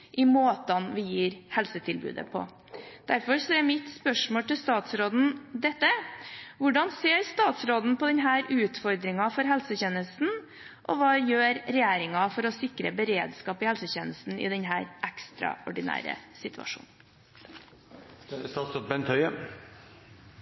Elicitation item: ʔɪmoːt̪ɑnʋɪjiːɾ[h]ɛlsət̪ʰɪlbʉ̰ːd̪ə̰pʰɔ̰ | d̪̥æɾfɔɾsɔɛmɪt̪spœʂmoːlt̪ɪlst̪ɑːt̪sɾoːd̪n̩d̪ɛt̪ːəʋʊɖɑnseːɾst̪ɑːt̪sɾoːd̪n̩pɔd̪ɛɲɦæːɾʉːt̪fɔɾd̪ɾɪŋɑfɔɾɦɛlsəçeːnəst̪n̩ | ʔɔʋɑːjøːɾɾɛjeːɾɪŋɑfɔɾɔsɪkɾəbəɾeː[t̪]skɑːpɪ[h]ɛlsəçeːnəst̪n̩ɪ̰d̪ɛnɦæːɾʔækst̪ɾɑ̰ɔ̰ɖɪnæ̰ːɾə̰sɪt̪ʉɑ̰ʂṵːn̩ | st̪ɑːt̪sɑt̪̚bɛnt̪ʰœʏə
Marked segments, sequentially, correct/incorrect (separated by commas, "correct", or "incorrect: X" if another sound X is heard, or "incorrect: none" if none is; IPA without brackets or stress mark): correct, incorrect: d̪, correct